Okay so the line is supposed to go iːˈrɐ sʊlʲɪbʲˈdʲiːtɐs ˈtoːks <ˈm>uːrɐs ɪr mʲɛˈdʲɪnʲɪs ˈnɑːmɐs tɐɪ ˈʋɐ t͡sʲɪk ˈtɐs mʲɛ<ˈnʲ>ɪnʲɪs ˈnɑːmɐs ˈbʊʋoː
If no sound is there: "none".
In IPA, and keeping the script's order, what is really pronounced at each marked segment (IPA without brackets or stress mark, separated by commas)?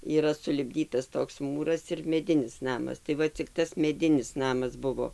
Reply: m, dʲ